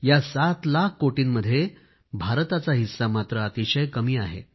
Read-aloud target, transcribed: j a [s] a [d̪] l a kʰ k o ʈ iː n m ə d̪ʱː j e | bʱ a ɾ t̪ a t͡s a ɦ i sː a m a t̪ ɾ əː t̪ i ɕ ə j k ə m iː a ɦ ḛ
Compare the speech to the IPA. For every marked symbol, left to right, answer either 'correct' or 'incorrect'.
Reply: correct, incorrect: t̪

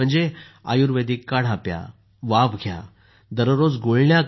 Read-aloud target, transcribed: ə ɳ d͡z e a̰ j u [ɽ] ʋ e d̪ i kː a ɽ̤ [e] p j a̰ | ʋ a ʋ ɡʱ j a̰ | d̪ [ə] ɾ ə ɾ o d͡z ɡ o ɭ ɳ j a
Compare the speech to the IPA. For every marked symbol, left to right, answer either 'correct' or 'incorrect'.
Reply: incorrect: ɾ, incorrect: a, correct

